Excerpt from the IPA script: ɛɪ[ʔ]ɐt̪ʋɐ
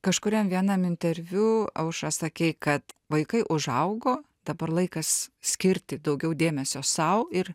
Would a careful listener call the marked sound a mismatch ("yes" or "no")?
yes